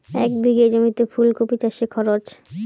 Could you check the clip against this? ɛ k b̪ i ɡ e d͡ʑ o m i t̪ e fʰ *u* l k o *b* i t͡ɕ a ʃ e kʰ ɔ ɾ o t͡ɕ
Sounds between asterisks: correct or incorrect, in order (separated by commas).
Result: correct, incorrect